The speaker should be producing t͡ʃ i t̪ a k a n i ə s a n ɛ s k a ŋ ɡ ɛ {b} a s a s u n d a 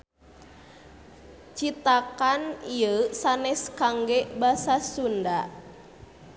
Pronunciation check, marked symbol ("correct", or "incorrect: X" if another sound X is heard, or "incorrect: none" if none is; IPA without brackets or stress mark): correct